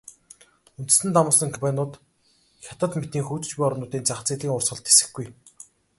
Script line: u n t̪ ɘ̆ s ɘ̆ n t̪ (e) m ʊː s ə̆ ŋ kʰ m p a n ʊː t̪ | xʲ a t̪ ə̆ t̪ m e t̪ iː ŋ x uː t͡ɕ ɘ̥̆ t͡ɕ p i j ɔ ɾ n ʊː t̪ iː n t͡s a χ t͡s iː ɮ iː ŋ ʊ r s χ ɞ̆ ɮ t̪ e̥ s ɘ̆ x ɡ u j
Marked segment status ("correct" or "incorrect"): incorrect